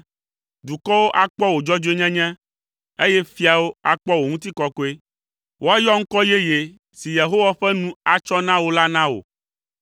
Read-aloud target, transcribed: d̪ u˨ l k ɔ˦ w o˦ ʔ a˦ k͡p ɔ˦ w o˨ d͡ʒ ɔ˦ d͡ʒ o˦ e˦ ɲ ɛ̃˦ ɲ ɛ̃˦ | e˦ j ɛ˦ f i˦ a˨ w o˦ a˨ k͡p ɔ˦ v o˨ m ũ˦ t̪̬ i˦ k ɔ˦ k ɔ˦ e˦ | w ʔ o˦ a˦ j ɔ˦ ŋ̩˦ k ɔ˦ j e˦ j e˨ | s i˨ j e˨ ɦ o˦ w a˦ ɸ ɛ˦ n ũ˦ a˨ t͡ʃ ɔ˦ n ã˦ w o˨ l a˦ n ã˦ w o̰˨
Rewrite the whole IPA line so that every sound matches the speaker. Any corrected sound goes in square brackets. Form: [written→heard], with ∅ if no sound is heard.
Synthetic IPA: d̪ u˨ [l→∅] k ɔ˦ w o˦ ʔ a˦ k͡p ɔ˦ w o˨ d͡ʒ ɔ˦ d͡ʒ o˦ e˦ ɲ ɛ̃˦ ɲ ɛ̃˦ | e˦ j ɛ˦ f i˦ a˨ w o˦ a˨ k͡p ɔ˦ [v→w] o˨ [m→ŋ] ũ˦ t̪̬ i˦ k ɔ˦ k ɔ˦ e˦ | w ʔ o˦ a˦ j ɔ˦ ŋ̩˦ k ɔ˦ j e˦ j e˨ | s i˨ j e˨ ɦ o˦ w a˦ ɸ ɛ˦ n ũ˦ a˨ t͡ʃ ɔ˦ n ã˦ w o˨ l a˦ n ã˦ w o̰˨